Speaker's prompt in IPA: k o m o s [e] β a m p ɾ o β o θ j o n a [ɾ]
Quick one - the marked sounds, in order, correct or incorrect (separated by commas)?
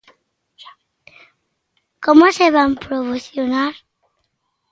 correct, correct